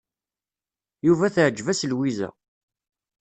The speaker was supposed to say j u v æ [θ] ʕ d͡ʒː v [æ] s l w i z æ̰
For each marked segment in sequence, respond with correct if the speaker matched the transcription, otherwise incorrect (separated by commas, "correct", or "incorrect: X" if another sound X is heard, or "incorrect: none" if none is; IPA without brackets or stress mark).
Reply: correct, correct